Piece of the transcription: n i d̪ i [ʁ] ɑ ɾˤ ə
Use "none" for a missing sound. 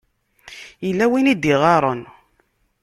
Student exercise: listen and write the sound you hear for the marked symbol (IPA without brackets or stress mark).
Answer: ʁ